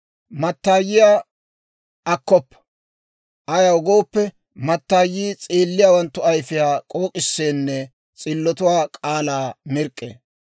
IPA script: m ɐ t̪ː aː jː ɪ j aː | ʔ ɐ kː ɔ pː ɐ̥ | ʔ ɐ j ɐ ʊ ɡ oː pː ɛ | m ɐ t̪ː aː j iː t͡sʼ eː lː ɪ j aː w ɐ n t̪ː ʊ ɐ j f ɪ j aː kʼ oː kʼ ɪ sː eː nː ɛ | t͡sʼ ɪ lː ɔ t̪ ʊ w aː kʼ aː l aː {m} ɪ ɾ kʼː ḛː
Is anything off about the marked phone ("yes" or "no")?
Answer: no